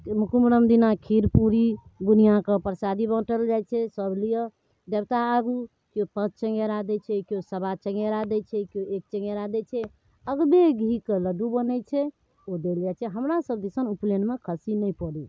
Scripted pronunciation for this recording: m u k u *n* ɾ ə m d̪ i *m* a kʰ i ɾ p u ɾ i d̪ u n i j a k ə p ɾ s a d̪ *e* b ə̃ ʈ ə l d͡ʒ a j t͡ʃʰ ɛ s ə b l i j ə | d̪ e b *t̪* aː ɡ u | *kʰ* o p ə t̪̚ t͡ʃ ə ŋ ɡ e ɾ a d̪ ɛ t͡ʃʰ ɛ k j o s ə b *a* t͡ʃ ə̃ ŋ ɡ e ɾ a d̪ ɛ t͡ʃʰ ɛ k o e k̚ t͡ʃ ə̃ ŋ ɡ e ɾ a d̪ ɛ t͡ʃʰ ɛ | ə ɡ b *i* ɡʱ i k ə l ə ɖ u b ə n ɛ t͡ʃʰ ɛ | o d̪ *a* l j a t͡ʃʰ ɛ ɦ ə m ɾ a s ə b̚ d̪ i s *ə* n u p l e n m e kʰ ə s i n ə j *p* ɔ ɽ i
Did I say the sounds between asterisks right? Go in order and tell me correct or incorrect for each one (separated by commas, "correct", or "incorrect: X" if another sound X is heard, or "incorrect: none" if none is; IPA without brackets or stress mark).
incorrect: m, incorrect: n, incorrect: i, correct, incorrect: k, correct, incorrect: e, incorrect: e, correct, correct